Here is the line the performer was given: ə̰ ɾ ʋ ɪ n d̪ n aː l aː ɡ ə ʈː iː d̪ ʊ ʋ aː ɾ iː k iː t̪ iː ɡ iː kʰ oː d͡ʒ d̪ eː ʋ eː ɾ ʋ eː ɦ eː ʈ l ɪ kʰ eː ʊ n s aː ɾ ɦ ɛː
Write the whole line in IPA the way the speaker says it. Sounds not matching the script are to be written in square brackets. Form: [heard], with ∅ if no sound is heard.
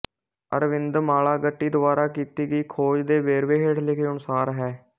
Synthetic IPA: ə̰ ɾ ʋ ɪ n d̪ [m] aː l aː ɡ ə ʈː iː d̪ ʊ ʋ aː ɾ [aː] k iː t̪ iː ɡ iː kʰ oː d͡ʒ d̪ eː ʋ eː ɾ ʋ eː ɦ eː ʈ l ɪ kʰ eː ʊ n s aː ɾ ɦ ɛː